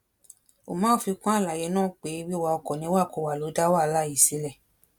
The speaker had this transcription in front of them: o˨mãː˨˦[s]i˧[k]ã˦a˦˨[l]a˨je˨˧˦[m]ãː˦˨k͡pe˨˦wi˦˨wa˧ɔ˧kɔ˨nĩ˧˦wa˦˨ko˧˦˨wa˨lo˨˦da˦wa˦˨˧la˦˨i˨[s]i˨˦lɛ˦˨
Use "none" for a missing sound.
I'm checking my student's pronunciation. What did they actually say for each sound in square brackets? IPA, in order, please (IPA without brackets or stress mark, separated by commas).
f, k, l, n, s